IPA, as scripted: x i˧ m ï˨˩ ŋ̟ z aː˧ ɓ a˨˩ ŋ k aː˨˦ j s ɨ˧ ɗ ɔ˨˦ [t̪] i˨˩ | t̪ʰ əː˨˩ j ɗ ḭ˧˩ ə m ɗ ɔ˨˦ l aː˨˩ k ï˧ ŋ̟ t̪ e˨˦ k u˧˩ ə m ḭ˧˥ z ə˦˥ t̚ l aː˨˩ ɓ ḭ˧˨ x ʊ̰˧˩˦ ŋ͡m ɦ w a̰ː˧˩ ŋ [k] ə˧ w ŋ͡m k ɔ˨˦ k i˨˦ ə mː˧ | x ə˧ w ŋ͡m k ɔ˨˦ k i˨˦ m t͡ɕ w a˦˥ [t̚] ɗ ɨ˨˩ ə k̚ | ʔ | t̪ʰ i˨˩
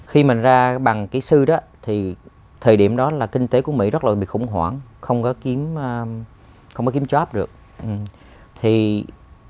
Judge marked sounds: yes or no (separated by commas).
no, no, no